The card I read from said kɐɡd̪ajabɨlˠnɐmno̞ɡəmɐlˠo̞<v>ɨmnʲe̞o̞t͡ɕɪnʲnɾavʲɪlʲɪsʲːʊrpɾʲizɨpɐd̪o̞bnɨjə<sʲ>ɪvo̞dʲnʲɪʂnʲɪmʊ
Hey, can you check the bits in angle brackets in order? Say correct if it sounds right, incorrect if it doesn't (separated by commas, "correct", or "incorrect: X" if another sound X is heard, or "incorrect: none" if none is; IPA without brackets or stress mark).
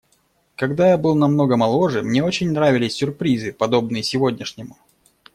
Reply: incorrect: ʐ, correct